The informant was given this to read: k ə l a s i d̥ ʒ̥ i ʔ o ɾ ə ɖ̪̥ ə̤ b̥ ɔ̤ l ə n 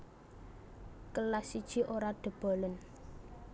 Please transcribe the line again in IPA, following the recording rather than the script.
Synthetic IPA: k ə l a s i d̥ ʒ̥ i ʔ o ɾ a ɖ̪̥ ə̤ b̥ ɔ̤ l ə n